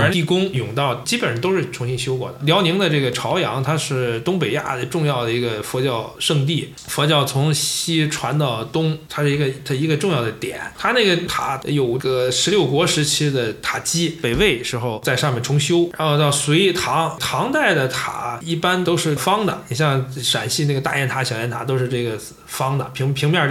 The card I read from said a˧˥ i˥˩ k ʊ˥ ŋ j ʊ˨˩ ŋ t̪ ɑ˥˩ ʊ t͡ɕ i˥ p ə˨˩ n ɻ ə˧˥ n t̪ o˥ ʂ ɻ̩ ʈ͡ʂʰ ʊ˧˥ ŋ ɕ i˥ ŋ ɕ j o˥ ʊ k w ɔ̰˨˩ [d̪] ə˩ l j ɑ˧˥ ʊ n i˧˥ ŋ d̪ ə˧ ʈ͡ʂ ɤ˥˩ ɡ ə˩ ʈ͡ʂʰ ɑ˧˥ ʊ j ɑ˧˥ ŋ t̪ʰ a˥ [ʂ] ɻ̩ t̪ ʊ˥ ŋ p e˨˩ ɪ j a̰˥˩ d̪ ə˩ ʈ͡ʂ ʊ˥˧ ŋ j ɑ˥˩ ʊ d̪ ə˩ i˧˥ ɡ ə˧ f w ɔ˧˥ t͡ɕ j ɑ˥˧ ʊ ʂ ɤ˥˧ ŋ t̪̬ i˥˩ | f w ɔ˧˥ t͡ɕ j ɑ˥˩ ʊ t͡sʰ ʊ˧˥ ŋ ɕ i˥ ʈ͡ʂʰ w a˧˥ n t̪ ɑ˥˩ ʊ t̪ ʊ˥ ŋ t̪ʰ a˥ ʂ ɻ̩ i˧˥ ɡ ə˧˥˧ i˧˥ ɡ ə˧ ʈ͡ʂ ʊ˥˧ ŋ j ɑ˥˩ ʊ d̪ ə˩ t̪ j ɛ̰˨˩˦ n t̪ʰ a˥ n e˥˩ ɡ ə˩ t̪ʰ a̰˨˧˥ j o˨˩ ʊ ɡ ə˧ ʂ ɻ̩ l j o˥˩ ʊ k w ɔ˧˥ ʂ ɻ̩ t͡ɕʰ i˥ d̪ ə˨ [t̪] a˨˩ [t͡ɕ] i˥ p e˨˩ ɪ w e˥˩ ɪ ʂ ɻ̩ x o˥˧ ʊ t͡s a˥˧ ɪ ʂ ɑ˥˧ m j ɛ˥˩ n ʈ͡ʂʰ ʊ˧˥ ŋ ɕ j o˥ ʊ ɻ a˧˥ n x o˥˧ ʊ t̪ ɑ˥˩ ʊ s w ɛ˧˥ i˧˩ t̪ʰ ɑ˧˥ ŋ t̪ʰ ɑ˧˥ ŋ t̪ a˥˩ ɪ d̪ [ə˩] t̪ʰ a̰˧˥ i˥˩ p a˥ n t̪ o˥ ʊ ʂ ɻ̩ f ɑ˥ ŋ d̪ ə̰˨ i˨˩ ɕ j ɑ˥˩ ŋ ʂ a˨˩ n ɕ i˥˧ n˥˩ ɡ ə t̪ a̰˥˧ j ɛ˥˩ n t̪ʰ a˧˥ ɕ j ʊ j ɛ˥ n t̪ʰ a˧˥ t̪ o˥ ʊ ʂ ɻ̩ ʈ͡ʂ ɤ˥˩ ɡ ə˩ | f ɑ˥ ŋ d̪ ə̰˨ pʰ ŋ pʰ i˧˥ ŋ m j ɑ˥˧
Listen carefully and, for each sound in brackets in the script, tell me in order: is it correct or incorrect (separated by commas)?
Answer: correct, correct, incorrect, correct, correct